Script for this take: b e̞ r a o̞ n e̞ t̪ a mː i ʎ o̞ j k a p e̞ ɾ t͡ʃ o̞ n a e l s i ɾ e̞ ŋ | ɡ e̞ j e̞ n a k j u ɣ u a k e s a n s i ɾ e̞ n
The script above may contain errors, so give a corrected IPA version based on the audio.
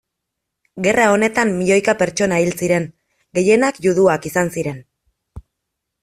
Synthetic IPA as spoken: ɡ e̞ r a o̞ n e̞ t̪ a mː i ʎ o̞ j k a p e̞ ɾ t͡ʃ o̞ n a i l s i ɾ e̞ ŋ | ɡ e̞ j e̞ n a k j u ð u a k i s a n s i ɾ e̞ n